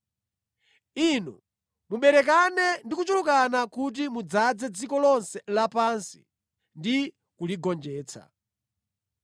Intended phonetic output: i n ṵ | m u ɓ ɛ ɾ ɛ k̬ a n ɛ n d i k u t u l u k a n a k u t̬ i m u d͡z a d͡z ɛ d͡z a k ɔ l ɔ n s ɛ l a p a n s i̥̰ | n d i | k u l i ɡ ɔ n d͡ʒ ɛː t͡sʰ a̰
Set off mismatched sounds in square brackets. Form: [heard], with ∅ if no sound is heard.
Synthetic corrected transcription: i n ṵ | m u ɓ ɛ ɾ ɛ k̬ a n ɛ n d i k u [t͡ʃ] u l u k a n a k u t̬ i m u d͡z a d͡z ɛ d͡z [i] k ɔ l ɔ n s ɛ l a p a n s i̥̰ | n d i | k u l i ɡ ɔ n d͡ʒ ɛː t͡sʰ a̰